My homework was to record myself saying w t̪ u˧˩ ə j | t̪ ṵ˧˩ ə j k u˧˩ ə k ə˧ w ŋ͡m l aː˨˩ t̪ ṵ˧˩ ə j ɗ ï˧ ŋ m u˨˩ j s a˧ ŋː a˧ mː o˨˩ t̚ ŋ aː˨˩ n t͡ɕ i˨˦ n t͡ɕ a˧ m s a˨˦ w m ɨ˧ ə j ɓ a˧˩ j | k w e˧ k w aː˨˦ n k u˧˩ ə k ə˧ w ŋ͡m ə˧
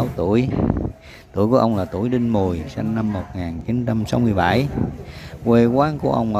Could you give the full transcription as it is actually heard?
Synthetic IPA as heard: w t̪ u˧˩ ə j | t̪ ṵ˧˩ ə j k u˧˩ ə ʔ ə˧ w ŋ͡m l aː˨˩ t̪ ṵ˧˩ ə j ɗ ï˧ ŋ m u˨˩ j s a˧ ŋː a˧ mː o˨˩ t̚ ŋ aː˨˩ n t͡ɕ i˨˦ n t͡ɕ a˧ m s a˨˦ w m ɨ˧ ə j ɓ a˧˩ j | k w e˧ k w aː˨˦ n k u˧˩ ə ʔ ə˧ w ŋ͡m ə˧